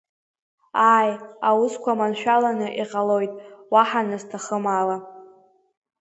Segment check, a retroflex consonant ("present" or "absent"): absent